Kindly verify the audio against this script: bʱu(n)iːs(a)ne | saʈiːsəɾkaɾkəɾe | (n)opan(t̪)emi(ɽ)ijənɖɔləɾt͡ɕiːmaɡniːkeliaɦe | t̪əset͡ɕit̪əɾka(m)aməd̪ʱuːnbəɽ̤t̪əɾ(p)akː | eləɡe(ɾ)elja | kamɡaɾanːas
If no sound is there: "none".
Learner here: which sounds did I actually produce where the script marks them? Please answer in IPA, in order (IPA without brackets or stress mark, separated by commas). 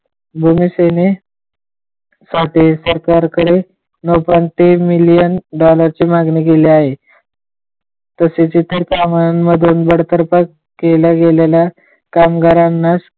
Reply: m, e, n, t̪, l, m, p, l